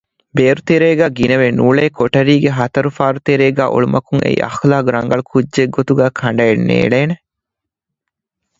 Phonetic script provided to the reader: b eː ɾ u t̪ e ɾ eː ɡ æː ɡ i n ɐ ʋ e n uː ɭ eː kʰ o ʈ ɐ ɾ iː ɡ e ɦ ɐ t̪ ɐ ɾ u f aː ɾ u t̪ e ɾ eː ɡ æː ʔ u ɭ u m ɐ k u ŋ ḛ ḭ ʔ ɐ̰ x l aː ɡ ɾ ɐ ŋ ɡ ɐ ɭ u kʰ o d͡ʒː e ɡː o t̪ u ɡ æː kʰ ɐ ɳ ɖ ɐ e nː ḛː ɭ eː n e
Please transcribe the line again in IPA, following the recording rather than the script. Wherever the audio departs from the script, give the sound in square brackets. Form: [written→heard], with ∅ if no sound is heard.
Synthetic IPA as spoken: b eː ɾ u t̪ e ɾ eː ɡ æː ɡ i n ɐ ʋ e n uː ɭ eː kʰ o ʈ ɐ ɾ iː ɡ e ɦ ɐ t̪ ɐ ɾ u f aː ɾ u t̪ e ɾ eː ɡ æː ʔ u ɭ u m ɐ k u ŋ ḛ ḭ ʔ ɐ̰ x l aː ɡ ɾ ɐ ŋ ɡ ɐ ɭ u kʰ [o→u] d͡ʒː e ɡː o t̪ u ɡ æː kʰ ɐ ɳ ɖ ɐ e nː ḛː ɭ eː n e